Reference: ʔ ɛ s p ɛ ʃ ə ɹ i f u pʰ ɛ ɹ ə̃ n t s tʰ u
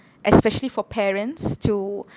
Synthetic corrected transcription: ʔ ɛ s p ɛ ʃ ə l i f ɔ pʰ ɛ ɹ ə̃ n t s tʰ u